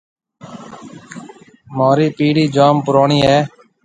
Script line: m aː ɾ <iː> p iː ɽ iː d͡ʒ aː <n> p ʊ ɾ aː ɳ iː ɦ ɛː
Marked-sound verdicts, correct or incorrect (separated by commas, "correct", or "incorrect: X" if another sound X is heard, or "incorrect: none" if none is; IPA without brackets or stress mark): correct, incorrect: m